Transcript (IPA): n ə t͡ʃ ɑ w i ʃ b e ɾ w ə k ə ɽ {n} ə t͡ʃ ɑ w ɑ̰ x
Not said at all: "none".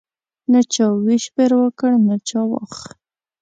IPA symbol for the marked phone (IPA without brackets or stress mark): n